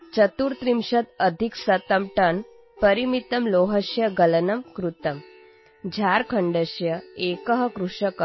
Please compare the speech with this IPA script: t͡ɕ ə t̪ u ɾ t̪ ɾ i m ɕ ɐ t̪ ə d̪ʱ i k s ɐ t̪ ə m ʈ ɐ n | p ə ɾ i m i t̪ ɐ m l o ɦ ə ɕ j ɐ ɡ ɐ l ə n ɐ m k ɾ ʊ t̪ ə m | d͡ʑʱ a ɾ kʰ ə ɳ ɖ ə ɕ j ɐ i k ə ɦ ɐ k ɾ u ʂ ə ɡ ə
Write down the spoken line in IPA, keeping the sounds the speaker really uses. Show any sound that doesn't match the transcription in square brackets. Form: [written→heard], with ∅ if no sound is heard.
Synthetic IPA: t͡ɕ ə t̪ u ɾ t̪ ɾ i m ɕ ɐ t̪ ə d̪ʱ i k s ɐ t̪ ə m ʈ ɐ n | p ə ɾ i m i t̪ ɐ m l o ɦ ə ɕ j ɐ ɡ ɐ l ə n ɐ m k ɾ [ʊ→u] t̪ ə m | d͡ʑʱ a ɾ kʰ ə ɳ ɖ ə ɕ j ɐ [i→e] k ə ɦ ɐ k ɾ u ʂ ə [ɡ→k] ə